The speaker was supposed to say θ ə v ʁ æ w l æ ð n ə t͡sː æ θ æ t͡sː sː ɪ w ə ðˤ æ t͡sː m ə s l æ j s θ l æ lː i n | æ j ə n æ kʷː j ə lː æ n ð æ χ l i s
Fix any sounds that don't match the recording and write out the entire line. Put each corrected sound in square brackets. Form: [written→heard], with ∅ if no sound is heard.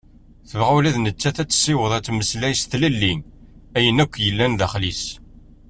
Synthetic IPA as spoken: θ ə v ʁ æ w l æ ð n ə t͡sː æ θ æ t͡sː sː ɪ w ə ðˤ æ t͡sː m ə s l æ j s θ l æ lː i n | æ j ə n æ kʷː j ə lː æ n ð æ χ l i s